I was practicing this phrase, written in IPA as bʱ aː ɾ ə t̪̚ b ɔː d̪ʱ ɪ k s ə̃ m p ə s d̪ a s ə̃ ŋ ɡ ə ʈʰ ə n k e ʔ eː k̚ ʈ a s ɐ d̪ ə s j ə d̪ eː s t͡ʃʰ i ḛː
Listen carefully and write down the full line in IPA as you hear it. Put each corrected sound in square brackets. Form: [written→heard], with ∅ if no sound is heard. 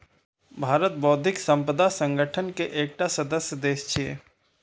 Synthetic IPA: bʱ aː ɾ ə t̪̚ b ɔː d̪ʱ ɪ k s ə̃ m p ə [s→∅] d̪ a s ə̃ ŋ ɡ ə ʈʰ ə n k e ʔ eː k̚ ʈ a s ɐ d̪ ə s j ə d̪ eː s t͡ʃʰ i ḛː